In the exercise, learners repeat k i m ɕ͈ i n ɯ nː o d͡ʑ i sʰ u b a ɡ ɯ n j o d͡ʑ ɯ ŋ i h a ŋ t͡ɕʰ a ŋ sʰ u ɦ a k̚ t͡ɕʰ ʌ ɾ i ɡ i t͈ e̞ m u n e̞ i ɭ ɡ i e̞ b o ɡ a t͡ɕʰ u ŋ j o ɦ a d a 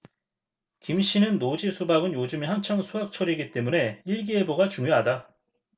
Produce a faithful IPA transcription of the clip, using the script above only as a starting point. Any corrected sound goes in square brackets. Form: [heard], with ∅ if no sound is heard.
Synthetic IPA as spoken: k i m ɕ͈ i n ɯ nː o d͡ʑ i sʰ u b a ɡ ɯ n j o d͡ʑ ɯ [m] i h a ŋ t͡ɕʰ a ŋ sʰ u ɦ a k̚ t͡ɕʰ ʌ ɾ i ɡ i t͈ e̞ m u n e̞ i ɭ ɡ i e̞ b o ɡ a [t͡ɕ] u ŋ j o ɦ a d a